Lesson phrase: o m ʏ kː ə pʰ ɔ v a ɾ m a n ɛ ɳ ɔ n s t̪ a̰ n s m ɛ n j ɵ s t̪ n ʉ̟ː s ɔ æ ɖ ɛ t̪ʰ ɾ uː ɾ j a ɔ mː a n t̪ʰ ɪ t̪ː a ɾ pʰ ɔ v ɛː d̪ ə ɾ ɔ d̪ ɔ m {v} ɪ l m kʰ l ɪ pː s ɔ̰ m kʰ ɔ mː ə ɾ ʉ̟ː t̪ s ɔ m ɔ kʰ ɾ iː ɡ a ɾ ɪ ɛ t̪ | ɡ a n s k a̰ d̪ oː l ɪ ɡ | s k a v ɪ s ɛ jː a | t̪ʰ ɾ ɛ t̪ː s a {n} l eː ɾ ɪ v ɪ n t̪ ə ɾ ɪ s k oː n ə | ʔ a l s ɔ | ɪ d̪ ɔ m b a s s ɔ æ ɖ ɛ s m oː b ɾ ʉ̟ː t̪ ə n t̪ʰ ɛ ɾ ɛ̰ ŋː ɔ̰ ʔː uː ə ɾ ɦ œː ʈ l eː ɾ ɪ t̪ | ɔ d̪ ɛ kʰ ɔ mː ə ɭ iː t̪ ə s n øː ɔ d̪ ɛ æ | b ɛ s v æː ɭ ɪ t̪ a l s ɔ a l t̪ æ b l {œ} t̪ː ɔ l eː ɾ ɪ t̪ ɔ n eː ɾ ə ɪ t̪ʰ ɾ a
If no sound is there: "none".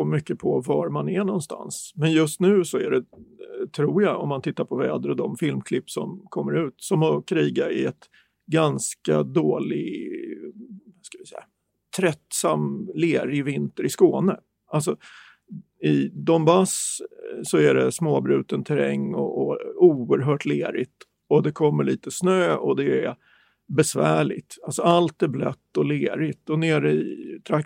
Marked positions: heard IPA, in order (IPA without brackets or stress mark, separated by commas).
f, m, œ